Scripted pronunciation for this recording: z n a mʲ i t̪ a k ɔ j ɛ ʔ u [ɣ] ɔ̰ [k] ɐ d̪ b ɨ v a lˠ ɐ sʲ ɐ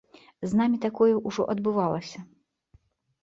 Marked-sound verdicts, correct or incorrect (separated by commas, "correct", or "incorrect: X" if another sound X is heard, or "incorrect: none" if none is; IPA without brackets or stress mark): incorrect: ʐ, incorrect: ʔ